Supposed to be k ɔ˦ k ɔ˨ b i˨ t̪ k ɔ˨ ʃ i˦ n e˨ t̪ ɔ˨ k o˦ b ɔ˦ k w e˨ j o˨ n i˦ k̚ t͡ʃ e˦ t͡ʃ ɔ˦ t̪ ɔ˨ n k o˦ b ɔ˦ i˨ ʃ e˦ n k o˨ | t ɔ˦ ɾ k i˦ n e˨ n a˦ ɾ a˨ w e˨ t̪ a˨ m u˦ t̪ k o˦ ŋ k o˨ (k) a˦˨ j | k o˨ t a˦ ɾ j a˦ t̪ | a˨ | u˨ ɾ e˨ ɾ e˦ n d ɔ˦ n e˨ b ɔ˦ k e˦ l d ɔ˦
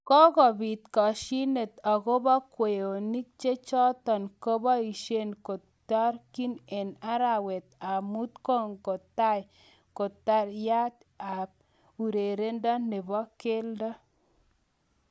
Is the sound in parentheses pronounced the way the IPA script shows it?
no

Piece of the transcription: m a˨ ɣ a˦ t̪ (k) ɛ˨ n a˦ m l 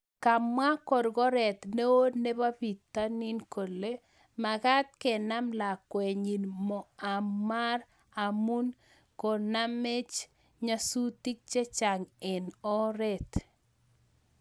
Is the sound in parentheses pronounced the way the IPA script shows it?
yes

